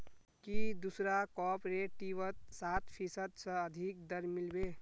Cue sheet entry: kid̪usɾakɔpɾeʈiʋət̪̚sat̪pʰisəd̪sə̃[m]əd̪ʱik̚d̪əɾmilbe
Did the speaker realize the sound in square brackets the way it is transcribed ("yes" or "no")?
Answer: no